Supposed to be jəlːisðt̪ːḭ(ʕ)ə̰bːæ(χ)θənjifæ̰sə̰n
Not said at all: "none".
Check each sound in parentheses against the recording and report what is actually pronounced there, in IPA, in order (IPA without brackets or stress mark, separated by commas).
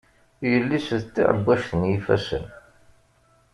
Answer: ʕ, ʃ